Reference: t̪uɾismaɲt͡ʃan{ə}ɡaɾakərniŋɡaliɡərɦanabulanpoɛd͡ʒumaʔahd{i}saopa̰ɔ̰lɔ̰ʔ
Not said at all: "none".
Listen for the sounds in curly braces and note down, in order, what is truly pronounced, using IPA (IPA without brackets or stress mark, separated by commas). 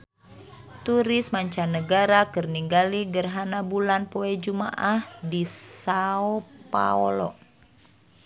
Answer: ə, i